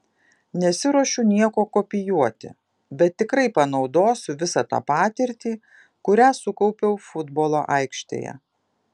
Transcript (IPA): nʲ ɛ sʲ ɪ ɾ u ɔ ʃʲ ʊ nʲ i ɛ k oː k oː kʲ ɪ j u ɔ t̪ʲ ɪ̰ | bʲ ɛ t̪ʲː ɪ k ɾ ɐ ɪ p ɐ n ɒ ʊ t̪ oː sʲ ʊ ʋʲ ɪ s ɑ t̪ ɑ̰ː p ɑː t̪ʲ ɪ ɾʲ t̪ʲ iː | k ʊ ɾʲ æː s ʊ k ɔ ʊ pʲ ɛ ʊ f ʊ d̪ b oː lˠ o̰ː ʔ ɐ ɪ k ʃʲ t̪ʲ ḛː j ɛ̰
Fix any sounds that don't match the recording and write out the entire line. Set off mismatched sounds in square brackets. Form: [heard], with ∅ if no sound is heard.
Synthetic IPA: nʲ ɛ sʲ ɪ ɾ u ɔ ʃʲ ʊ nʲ i ɛ k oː k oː [pʲ] ɪ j u ɔ t̪ʲ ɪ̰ | bʲ ɛ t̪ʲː ɪ k ɾ ɐ ɪ p ɐ n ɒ ʊ [d̪] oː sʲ ʊ ʋʲ ɪ s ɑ t̪ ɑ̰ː p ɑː t̪ʲ ɪ ɾʲ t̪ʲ iː | k ʊ ɾʲ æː s ʊ k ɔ ʊ pʲ ɛ ʊ f ʊ d̪ b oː lˠ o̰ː ʔ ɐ ɪ k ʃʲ t̪ʲ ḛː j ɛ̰

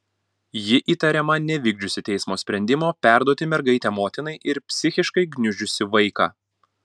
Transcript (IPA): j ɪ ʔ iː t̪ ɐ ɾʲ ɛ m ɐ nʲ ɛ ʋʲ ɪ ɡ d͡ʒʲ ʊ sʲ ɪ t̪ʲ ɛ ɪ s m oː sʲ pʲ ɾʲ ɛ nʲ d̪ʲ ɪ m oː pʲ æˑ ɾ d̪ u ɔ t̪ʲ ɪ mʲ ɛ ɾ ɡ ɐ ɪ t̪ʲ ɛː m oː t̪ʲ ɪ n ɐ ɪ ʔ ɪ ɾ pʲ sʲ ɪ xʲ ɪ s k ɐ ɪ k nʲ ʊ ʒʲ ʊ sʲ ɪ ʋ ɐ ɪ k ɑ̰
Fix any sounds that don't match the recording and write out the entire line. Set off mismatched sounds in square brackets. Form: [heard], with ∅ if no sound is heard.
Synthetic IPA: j ɪ ʔ iː t̪ ɐ ɾʲ ɛ m ɐ nʲ ɛ ʋʲ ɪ ɡ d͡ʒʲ ʊ sʲ ɪ t̪ʲ ɛ ɪ s m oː sʲ pʲ ɾʲ ɛ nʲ d̪ʲ ɪ m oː pʲ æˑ ɾ d̪ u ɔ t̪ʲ ɪ mʲ ɛ ɾ ɡ ɐ ɪ t̪ʲ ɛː m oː t̪ʲ ɪ n ɐ ɪ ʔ ɪ ɾ pʲ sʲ ɪ xʲ ɪ [ʃ] k ɐ ɪ [ɡ] nʲ ʊ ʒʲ ʊ sʲ ɪ ʋ ɐ ɪ k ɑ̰

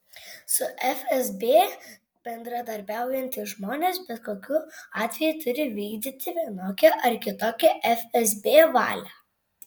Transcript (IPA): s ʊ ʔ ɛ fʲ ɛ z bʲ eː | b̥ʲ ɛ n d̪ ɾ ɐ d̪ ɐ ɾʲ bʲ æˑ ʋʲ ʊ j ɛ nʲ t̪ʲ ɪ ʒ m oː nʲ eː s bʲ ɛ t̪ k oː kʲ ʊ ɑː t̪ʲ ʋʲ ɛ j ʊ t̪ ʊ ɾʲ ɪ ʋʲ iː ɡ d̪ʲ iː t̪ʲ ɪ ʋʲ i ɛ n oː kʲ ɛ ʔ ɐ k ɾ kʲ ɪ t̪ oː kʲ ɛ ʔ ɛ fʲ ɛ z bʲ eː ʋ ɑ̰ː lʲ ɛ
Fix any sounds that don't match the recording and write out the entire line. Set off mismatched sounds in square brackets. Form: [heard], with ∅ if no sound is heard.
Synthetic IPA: s ʊ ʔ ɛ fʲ ɛ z bʲ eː | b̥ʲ ɛ n d̪ ɾ ɐ d̪ ɐ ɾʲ bʲ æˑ [∅] ʊ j ɛ nʲ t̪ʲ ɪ ʒ m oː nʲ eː s bʲ ɛ t̪ k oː kʲ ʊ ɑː t̪ʲ ʋʲ ɛ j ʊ t̪ ʊ ɾʲ ɪ ʋʲ iː ɡ d̪ʲ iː t̪ʲ ɪ ʋʲ i ɛ n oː kʲ ɛ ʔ ɐ [∅] ɾ kʲ ɪ t̪ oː kʲ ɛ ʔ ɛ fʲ ɛ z bʲ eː ʋ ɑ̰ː lʲ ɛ

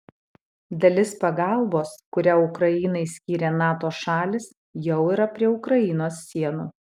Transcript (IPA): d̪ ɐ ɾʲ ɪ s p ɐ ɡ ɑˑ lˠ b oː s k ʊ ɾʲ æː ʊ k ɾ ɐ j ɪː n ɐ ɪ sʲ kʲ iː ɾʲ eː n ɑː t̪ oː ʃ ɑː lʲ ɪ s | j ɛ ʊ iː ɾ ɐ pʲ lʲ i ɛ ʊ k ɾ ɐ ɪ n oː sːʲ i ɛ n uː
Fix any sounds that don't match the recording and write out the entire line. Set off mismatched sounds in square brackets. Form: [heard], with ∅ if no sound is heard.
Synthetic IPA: d̪ ɐ [lʲ] ɪ s p ɐ ɡ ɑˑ lˠ b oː s k ʊ ɾʲ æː ʊ k ɾ ɐ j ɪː n ɐ ɪ sʲ kʲ iː ɾʲ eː n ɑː t̪ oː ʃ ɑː lʲ ɪ s | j ɛ ʊ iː ɾ ɐ pʲ [ɾʲ] i ɛ ʊ k ɾ ɐ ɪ n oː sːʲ i ɛ n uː

